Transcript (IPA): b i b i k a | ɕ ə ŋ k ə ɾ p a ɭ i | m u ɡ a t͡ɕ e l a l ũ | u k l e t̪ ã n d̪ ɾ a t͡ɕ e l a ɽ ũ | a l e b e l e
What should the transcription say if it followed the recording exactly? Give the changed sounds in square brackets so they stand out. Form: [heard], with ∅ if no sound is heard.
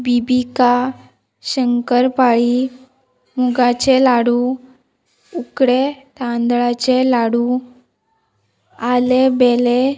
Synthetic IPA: b i b i k a | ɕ ə ŋ k ə ɾ p a ɭ i | m u ɡ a t͡ɕ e l a [ɽ] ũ | u k [ɽ] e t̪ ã n d̪ [ɭ] a t͡ɕ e l a ɽ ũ | a l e b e l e